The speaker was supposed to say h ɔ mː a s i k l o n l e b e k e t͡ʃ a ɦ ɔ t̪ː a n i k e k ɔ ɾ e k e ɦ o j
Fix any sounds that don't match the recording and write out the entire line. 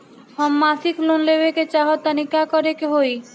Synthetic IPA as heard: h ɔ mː a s i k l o n l e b e k e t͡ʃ a ɦ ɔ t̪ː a n i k a k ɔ ɾ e k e ɦ o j